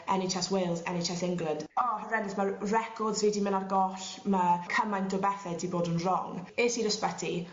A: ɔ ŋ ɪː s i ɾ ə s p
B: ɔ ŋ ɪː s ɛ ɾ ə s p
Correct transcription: A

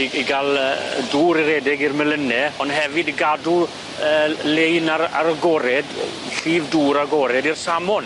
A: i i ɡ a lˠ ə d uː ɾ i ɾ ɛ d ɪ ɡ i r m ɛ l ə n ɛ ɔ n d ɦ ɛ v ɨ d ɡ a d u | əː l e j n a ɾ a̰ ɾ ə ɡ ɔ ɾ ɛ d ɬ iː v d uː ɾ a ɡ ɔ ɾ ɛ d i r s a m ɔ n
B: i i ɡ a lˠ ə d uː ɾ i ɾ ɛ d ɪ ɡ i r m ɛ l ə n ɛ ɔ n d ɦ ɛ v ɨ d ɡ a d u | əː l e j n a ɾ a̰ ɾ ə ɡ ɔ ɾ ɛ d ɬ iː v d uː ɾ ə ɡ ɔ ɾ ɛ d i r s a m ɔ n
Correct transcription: A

